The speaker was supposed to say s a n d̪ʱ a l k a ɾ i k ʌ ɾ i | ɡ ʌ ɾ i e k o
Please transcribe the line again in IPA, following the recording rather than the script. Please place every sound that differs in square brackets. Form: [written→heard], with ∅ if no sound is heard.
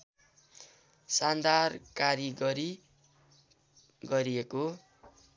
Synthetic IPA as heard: s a n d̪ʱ a [l→r] k a ɾ i [k→ɡ] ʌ ɾ i | ɡ ʌ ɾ i e k o

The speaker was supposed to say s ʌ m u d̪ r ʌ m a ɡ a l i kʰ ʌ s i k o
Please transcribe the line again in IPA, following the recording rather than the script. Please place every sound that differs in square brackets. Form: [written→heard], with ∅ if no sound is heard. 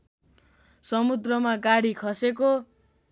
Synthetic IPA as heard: s ʌ m u d̪ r ʌ m a ɡ a [l→ɽ] i kʰ ʌ s [i→e] k o

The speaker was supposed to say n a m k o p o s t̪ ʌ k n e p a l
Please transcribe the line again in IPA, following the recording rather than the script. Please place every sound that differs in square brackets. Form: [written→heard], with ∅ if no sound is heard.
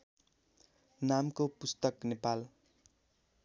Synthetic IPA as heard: n a m k o p [o→u] s t̪ ʌ k n e p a l

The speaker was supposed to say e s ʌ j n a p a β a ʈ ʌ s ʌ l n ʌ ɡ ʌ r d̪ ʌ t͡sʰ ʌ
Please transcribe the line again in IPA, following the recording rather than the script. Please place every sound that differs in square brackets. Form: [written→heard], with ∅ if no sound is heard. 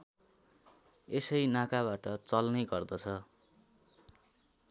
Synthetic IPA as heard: e s ʌ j n a [p→k] a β a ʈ ʌ [s→t͡s] ʌ l n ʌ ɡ ʌ r d̪ ʌ t͡sʰ ʌ

